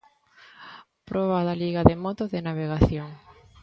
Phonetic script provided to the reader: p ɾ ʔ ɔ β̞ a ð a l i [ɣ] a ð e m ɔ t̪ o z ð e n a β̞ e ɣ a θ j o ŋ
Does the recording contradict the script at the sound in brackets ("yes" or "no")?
no